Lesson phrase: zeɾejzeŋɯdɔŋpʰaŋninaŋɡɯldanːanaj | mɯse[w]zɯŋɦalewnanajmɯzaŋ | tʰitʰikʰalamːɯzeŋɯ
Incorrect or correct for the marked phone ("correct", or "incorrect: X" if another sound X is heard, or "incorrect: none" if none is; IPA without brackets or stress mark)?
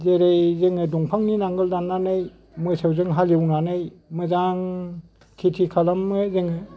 correct